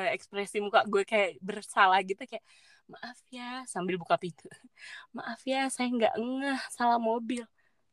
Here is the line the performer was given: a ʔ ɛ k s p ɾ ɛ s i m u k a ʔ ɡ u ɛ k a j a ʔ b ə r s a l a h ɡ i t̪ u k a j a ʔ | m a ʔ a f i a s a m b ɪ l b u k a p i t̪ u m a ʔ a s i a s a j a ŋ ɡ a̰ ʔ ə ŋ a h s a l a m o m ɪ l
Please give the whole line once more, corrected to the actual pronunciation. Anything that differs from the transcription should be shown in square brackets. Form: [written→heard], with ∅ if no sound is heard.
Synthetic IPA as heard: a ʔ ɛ k s p ɾ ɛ s i m u k a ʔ ɡ u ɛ k a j a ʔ b ə r s a l a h ɡ i t̪ u k a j a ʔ | m a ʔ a f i a s a m b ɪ l b u k a p i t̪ u m a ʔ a [s→f] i a s a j a ŋ ɡ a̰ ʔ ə ŋ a h s a l a m o [m→b] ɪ l